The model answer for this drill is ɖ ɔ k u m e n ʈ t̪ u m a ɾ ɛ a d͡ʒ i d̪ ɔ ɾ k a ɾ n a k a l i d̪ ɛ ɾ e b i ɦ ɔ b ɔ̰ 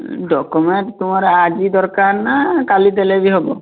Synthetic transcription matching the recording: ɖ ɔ k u m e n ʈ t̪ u m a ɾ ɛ a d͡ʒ i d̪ ɔ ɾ k a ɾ n a k a l i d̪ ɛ l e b i ɦ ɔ b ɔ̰